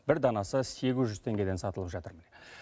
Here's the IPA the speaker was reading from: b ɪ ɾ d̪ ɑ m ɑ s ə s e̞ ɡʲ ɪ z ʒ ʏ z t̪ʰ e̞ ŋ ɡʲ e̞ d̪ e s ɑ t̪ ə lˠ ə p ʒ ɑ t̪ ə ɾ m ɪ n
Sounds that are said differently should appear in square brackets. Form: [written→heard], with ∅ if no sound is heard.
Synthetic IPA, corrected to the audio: b ɪ ɾ d̪ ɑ [m→n] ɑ s ə s e̞ ɡʲ ɪ z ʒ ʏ z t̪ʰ e̞ ŋ ɡʲ e̞ d̪ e s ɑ t̪ ə lˠ ə p ʒ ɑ t̪ ə ɾ m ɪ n

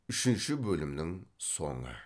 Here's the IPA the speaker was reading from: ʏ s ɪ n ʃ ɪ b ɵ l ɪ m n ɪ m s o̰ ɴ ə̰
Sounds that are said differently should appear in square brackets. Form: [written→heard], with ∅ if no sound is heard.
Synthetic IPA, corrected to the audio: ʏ [s→ʃ] ɪ n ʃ ɪ b ɵ l ɪ m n ɪ [m→ŋ] s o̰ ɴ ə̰

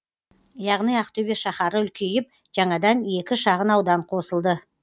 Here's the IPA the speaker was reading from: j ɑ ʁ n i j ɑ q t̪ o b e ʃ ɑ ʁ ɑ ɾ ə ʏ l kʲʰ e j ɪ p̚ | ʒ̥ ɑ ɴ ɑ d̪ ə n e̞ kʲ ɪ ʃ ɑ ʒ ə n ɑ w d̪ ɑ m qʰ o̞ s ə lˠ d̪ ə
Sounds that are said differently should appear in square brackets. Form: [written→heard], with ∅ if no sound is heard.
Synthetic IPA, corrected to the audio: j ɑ ʁ n i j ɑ q t̪ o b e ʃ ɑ [ʁ→χ] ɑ ɾ ə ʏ l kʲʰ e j ɪ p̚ | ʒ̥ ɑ ɴ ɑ d̪ [ə→ɑ] n e̞ kʲ ɪ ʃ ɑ [ʒ→ʁ] ə n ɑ w d̪ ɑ [m→ɴ] qʰ o̞ s ə lˠ d̪ ə

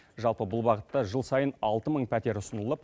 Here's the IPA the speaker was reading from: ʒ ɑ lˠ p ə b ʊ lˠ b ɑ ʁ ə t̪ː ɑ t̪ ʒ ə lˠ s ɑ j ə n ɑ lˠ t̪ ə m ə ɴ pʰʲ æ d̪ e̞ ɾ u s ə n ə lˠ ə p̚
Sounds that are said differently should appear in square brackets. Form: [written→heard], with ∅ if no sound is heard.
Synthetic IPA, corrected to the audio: ʒ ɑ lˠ p ə b ʊ lˠ b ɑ ʁ ə t̪ː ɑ [t̪→∅] ʒ ə lˠ s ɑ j ə n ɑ lˠ t̪ ə m ə ɴ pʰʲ æ [d̪→t̪] e̞ ɾ [u→ʊ] s ə n ə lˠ ə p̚

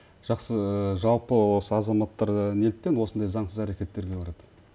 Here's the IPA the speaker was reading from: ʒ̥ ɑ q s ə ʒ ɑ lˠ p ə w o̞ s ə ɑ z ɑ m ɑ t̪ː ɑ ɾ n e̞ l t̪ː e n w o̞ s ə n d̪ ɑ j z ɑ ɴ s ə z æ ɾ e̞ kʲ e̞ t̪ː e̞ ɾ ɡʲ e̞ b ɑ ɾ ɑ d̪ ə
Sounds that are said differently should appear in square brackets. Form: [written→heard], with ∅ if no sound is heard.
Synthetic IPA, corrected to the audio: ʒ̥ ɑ q s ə ʒ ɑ lˠ p ə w o̞ s ə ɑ z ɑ m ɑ t̪ː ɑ ɾ n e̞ l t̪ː e n w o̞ s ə n d̪ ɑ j z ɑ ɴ s ə z æ ɾ e̞ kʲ e̞ t̪ː e̞ ɾ ɡʲ e̞ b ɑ ɾ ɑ d̪ ə

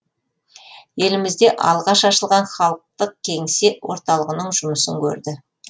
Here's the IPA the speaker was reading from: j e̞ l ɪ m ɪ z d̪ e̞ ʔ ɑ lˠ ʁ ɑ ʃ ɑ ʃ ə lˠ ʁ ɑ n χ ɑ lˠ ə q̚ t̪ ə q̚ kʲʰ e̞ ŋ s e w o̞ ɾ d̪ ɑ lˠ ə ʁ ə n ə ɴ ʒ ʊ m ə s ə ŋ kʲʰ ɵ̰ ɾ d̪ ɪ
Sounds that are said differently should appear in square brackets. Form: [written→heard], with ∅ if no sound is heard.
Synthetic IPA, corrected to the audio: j e̞ l ɪ m ɪ z d̪ e̞ ʔ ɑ lˠ ʁ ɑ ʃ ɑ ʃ ə lˠ ʁ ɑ n χ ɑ lˠ ə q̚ t̪ ə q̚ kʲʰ e̞ ŋ s e w o̞ ɾ [d̪→t̪] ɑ lˠ ə ʁ ə n ə ɴ ʒ ʊ m ə s ə ŋ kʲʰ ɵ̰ ɾ d̪ ɪ

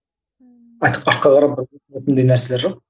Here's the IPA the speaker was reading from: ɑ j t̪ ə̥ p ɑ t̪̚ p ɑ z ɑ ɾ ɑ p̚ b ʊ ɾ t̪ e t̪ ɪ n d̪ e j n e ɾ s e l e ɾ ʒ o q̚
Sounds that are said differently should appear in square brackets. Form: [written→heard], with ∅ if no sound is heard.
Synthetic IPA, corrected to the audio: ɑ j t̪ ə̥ p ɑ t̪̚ [p→q] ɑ [z→ʁ] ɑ ɾ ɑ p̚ b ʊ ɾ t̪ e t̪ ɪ n d̪ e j n [e→æ] ɾ s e l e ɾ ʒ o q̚

